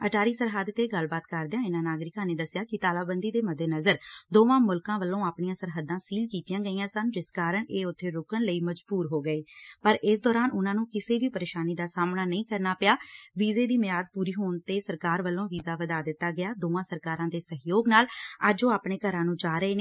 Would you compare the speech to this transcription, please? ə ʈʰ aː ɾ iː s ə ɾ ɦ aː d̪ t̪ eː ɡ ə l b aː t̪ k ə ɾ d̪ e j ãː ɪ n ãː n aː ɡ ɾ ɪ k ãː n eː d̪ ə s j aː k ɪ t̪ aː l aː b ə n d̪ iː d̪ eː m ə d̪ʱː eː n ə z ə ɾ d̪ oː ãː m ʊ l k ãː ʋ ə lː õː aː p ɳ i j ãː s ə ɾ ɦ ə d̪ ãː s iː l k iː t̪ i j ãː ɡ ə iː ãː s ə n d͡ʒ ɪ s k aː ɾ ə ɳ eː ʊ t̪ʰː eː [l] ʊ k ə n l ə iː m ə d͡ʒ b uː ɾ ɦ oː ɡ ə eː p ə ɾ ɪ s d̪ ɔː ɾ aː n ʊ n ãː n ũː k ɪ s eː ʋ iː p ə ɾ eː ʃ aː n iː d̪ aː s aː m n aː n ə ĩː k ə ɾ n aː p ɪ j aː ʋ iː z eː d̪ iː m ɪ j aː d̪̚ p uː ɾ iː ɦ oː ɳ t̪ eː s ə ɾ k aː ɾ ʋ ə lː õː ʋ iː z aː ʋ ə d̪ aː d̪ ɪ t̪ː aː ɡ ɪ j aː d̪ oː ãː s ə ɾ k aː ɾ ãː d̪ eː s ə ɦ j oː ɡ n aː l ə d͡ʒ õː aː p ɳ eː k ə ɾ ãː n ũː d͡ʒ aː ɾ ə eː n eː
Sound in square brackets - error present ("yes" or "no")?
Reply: yes